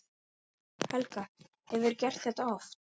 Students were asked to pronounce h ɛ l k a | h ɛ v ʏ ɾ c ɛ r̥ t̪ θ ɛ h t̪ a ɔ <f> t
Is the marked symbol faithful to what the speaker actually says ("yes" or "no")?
yes